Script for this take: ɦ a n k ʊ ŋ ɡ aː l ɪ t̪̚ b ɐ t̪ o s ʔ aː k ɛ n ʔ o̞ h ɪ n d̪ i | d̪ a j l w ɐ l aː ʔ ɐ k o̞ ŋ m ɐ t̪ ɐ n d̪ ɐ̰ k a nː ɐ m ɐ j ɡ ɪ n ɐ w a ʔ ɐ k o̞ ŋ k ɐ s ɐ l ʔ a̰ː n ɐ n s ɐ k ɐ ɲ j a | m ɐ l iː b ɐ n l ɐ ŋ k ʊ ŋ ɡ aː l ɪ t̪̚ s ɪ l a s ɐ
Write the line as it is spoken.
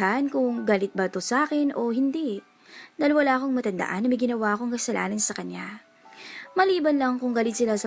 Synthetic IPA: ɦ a n k ʊ ŋ ɡ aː l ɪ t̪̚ b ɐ t̪ o s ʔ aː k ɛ n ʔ o̞ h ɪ n d̪ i | d̪ a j l w ɐ l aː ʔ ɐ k o̞ ŋ m ɐ t̪ ɐ n d̪ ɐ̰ ʔ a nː ɐ m ɐ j ɡ ɪ n ɐ w a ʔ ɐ k o̞ ŋ k ɐ s ɐ l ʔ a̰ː n ɐ n s ɐ k ɐ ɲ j a | m ɐ l iː b ɐ n l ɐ ŋ k ʊ ŋ ɡ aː l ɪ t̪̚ s ɪ l a s ɐ